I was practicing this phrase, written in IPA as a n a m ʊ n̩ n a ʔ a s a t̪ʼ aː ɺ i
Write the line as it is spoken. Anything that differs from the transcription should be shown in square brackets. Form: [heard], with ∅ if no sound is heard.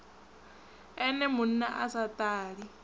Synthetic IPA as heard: [ɛ] n [ɛ] m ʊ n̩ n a ʔ a s a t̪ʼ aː ɺ i